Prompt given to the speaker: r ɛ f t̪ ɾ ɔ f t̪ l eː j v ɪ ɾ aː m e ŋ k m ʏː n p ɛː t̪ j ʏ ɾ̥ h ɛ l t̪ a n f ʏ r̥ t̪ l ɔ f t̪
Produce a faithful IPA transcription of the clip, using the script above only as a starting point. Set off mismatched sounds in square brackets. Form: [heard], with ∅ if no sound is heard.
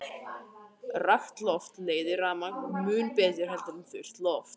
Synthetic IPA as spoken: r [a] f t̪ [l] ɔ f t̪ l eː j [ð] ɪ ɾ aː m [a] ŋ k m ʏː n p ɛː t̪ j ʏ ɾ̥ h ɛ l t̪ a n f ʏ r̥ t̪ l ɔ f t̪